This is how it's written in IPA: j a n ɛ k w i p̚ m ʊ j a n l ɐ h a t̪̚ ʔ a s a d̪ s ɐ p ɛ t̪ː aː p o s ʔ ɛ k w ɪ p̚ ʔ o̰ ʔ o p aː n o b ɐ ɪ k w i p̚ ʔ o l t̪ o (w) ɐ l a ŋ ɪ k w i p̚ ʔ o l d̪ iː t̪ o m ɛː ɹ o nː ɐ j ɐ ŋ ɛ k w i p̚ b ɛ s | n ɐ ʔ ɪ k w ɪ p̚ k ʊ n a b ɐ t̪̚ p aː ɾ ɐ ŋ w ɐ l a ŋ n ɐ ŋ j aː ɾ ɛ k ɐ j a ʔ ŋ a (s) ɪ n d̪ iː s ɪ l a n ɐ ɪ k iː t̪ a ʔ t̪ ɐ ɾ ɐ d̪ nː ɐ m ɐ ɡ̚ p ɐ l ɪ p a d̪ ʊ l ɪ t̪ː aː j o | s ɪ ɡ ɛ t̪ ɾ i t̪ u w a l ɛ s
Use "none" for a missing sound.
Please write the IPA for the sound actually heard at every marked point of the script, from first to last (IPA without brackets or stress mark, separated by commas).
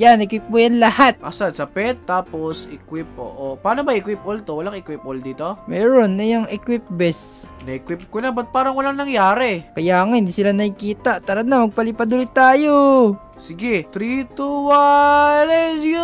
w, h